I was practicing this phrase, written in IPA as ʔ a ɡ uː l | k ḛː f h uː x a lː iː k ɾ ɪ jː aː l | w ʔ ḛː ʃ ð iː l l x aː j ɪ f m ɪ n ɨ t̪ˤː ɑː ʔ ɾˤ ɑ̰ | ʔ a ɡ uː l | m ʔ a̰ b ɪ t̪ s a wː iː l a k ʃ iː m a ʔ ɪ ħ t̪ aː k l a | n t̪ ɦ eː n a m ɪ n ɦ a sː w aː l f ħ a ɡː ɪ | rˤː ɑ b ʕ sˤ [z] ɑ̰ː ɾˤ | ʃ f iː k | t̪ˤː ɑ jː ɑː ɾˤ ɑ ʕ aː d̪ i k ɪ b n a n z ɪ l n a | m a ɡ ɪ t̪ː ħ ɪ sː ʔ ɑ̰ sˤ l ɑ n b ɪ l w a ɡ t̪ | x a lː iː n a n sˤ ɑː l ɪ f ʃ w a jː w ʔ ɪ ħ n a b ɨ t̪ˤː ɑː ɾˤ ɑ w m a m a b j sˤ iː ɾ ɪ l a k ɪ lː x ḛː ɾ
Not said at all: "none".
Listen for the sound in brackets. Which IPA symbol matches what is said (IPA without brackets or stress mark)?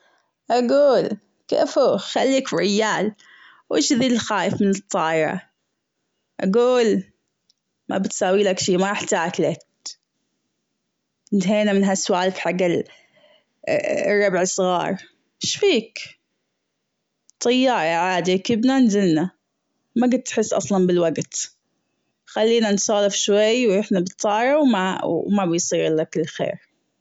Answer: ɣ